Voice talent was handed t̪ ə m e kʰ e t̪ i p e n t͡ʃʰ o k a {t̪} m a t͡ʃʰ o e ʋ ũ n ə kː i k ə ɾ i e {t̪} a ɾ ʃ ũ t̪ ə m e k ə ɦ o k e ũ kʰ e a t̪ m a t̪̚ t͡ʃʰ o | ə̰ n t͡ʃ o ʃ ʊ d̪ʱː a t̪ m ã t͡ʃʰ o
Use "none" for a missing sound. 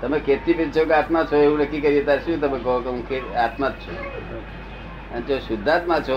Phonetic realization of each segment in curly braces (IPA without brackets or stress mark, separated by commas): t̪, t̪